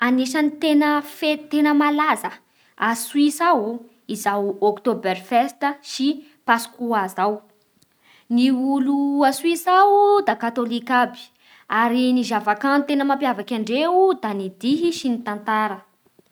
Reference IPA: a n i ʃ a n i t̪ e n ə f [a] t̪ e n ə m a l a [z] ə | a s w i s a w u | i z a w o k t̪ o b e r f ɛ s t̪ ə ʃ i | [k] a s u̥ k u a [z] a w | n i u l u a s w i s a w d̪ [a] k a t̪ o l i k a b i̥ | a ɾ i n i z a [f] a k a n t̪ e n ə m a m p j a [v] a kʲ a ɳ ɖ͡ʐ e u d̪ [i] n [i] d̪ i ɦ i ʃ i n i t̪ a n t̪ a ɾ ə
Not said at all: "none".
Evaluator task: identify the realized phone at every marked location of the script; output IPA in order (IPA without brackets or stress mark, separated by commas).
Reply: e, z, p, z, a, v, v, a, i